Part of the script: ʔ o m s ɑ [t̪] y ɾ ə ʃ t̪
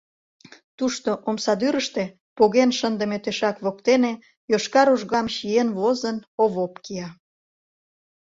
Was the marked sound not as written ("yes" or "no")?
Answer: yes